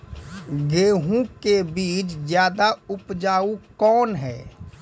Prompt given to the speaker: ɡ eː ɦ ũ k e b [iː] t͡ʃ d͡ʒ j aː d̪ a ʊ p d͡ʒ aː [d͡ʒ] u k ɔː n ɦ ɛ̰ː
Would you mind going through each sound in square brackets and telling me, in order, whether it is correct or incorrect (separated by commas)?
correct, incorrect